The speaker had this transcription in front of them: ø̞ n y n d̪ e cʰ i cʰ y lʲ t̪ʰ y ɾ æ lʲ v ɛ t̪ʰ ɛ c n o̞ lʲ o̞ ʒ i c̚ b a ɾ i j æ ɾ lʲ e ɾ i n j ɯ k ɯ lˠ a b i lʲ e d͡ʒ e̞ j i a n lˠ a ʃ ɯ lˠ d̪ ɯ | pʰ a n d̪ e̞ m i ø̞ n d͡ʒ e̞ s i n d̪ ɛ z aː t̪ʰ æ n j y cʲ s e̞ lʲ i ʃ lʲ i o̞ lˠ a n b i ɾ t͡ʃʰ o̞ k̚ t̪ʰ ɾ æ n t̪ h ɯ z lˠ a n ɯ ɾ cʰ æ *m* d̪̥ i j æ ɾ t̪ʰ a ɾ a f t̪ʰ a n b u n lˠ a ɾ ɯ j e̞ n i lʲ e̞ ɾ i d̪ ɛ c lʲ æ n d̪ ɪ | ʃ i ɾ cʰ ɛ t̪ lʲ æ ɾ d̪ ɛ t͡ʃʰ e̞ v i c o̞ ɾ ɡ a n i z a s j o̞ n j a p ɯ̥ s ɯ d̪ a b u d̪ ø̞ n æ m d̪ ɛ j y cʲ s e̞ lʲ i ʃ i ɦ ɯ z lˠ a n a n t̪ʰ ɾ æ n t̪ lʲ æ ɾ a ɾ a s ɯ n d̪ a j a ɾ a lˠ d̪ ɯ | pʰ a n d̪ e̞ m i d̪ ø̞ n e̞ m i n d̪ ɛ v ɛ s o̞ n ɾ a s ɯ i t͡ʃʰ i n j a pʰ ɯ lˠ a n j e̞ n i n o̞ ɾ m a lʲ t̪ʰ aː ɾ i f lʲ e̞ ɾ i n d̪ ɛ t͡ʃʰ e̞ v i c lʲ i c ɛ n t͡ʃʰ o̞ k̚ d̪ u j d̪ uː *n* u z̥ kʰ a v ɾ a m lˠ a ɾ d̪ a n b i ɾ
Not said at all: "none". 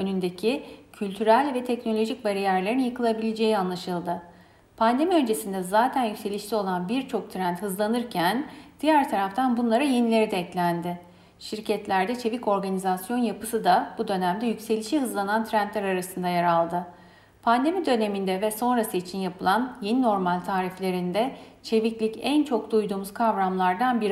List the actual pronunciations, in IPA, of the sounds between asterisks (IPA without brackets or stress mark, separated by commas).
n, m